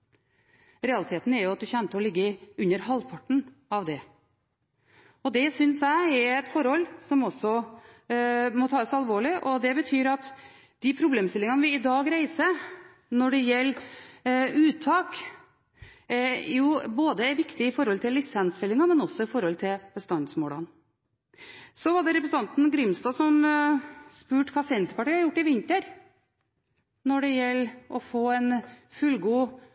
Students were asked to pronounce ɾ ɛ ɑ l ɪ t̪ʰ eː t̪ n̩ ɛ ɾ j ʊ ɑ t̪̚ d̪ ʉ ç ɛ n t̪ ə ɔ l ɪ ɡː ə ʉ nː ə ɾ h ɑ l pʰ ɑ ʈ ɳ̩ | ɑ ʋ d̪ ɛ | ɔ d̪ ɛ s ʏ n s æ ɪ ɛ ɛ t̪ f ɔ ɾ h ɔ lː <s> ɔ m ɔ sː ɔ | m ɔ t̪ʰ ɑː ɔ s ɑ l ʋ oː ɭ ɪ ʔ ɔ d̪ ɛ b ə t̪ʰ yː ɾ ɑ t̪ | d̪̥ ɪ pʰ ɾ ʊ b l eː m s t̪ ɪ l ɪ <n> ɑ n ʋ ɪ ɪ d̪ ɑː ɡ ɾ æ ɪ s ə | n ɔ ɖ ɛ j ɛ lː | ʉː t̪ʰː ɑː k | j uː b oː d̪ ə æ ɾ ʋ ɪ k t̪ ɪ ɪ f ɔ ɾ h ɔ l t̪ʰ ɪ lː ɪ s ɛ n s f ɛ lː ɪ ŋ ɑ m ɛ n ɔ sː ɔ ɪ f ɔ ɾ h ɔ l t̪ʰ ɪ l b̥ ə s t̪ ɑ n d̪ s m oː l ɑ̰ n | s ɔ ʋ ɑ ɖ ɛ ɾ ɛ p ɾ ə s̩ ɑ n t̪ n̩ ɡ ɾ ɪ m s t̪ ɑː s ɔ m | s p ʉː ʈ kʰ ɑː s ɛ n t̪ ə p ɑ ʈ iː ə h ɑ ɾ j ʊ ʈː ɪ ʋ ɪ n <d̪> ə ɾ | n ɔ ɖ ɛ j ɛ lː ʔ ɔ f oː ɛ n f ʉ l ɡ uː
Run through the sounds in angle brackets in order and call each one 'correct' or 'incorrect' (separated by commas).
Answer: correct, incorrect, incorrect